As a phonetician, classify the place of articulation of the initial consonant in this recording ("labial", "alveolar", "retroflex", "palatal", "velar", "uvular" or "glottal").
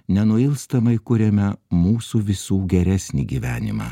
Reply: alveolar